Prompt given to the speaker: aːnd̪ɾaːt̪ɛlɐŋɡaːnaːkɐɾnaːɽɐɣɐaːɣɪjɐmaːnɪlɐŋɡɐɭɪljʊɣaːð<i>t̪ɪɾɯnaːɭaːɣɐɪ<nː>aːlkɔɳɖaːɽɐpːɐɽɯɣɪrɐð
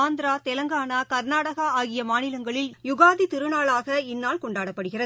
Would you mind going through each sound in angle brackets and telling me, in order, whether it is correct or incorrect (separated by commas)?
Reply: correct, correct